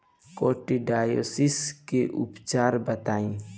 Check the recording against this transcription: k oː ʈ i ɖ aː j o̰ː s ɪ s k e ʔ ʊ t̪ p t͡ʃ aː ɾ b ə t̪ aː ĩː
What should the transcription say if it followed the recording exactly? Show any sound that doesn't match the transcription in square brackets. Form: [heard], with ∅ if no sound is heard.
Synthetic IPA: k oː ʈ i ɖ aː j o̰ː s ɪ s k e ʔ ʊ [∅] p t͡ʃ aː ɾ b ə t̪ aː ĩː